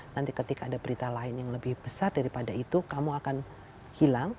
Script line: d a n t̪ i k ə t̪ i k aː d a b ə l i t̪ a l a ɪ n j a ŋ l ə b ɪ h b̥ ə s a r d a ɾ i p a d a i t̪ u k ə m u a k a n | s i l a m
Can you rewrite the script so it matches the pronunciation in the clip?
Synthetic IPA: n a n t̪ i k ə t̪ i k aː d a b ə ɾ i t̪ a l a ɪ n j a ŋ l ə b ɪ h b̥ ə s a r d a ɾ i p a d a i t̪ u k a m u a k a n | h i l a ŋ